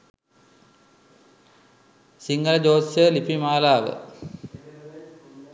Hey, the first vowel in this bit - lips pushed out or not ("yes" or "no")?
no